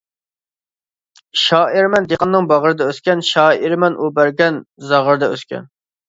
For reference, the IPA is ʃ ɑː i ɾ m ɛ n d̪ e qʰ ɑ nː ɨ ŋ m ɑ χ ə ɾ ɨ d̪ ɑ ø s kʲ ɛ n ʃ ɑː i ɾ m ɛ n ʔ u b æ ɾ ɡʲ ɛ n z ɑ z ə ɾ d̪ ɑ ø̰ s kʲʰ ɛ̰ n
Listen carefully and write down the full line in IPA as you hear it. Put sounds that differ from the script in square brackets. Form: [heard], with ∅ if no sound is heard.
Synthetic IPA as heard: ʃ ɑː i ɾ m ɛ n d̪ e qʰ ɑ nː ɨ ŋ [b] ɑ [ʁ] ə ɾ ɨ d̪ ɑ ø s kʲ ɛ n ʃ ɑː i ɾ m ɛ n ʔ u b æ ɾ ɡʲ ɛ n z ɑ [ʁ] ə ɾ d̪ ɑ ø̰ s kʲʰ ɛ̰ n